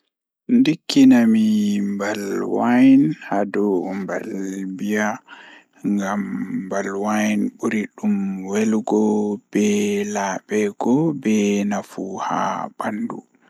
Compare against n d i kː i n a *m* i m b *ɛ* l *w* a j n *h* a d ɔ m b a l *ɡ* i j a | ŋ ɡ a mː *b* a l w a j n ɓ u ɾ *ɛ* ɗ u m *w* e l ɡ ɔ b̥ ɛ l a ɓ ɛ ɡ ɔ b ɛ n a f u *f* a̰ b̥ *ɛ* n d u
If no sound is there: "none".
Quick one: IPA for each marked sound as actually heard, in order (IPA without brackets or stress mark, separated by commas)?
m, a, w, h, b, b, i, w, h, a